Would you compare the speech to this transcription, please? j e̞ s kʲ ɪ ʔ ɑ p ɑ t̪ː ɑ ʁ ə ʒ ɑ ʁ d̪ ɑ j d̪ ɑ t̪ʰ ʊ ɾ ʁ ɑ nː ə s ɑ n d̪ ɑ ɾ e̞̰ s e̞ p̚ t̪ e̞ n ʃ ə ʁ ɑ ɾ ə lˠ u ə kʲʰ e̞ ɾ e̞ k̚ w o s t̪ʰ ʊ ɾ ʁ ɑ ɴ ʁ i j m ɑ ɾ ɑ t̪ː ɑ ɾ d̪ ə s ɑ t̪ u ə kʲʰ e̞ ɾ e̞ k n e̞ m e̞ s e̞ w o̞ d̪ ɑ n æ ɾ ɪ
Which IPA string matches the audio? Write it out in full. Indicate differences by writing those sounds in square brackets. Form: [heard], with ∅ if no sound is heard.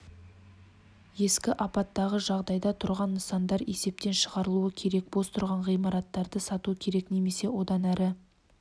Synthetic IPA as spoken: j e̞ s kʲ ɪ ʔ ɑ p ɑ t̪ː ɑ ʁ ə ʒ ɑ ʁ d̪ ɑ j d̪ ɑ t̪ʰ ʊ ɾ ʁ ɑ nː ə s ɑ n d̪ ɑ ɾ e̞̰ s e̞ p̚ t̪ e̞ n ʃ ə ʁ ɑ ɾ ə lˠ u ə kʲʰ e̞ ɾ e̞ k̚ [b] o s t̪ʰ ʊ ɾ ʁ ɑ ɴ ʁ i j m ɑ ɾ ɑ t̪ː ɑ ɾ d̪ ə s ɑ t̪ u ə kʲʰ e̞ ɾ e̞ k n e̞ m e̞ s e̞ w o̞ d̪ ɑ n æ ɾ ɪ